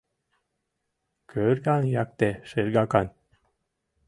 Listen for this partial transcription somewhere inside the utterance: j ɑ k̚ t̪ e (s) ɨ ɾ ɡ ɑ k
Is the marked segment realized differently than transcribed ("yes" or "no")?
yes